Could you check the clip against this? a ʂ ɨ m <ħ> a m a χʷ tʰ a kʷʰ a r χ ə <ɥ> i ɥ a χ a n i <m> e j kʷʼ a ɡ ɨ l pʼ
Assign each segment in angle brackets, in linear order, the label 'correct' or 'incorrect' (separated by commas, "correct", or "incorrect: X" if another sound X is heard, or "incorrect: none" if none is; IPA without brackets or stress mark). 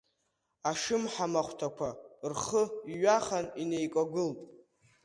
correct, incorrect: none, incorrect: n